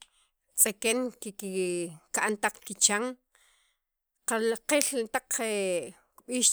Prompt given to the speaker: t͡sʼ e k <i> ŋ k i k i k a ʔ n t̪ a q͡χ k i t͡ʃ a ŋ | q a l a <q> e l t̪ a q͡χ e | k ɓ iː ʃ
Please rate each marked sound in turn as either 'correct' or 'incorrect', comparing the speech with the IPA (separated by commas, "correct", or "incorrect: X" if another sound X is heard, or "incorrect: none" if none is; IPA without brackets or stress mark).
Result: incorrect: e, correct